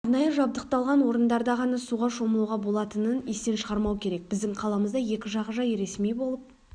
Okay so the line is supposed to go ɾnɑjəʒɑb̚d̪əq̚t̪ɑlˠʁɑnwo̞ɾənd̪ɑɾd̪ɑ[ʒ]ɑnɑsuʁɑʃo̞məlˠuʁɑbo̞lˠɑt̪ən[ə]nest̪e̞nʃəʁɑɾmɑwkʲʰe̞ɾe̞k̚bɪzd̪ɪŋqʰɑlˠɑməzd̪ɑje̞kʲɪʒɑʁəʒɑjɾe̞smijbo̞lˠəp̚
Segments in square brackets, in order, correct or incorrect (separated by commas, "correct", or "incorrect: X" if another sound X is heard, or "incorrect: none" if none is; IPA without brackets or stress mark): incorrect: ʁ, correct